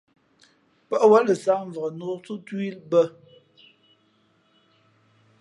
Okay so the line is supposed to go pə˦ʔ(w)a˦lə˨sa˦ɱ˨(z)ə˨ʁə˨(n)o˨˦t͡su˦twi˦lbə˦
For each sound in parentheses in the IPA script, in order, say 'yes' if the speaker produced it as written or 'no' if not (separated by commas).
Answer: yes, no, yes